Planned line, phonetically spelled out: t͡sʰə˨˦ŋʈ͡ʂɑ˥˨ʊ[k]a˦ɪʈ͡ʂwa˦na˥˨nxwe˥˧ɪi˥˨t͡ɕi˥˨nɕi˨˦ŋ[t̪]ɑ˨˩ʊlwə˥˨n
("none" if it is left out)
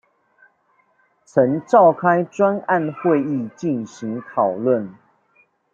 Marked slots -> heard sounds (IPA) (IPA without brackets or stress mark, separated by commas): kʰ, t̪ʰ